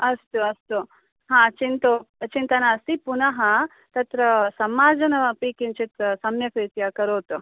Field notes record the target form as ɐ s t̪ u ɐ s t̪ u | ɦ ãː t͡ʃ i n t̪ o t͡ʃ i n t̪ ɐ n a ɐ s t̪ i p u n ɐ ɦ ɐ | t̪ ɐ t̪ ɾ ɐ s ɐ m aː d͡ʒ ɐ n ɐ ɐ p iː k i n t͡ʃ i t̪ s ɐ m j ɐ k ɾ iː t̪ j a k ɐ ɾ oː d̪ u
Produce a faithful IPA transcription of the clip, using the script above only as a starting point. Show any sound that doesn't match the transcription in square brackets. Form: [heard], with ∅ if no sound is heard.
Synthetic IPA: ɐ s t̪ u ɐ s t̪ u | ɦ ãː t͡ʃ i n t̪ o t͡ʃ i n t̪ ɐ n a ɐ s t̪ i p u n ɐ ɦ ɐ | t̪ ɐ t̪ ɾ ɐ s ɐ m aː d͡ʒ ɐ n ɐ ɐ p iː k i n t͡ʃ i t̪ s ɐ m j ɐ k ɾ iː t̪ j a k ɐ ɾ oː [t̪] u